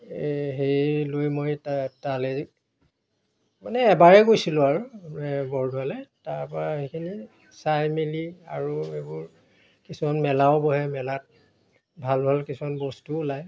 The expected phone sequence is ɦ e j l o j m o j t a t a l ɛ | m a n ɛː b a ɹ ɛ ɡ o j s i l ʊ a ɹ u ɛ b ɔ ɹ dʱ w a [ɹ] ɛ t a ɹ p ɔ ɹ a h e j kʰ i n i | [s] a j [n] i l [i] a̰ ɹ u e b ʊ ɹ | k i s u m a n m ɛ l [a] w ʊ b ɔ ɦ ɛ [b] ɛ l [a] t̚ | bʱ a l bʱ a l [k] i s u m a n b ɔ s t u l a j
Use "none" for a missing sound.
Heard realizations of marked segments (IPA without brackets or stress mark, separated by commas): l, s, m, i, a, m, a, k